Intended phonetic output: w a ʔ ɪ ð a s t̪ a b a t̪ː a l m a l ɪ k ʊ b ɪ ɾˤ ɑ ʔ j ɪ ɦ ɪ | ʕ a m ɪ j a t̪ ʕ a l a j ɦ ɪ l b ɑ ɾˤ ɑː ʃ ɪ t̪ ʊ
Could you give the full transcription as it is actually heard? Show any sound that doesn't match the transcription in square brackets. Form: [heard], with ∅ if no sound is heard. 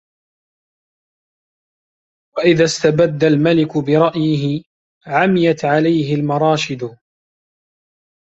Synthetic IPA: w a ʔ ɪ ð a s t̪ a b a [d̪ː] a l m a l ɪ k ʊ b ɪ ɾˤ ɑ ʔ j ɪ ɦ ɪ | ʕ a m ɪ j a t̪ ʕ a l a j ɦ ɪ l [m] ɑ ɾˤ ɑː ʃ ɪ [d̪] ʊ